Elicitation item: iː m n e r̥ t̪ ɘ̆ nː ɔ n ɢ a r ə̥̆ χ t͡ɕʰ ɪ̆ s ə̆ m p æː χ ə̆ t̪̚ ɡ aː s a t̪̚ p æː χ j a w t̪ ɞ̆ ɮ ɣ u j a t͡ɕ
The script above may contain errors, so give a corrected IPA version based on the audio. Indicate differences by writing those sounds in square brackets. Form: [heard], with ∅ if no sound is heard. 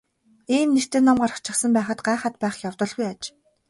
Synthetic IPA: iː m n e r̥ t̪ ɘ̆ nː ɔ [m] ɢ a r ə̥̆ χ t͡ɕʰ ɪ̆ s ə̆ m p æː χ ə̆ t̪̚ [ɢ] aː [χ] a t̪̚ p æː χ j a w t̪ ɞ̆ ɮ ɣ u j a t͡ɕ